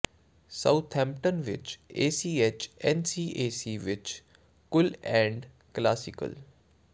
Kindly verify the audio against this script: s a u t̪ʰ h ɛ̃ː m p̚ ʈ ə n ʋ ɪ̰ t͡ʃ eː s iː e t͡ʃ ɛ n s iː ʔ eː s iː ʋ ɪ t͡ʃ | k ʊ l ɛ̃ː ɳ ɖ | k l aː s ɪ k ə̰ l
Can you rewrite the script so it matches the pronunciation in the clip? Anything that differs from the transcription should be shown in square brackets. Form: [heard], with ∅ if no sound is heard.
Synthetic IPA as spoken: s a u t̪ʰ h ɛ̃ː m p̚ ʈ ə n ʋ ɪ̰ t͡ʃ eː s iː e t͡ʃ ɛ n s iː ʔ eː s iː ʋ ɪ t͡ʃ | k ʊ l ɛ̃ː ɳ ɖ | k l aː s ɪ k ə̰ l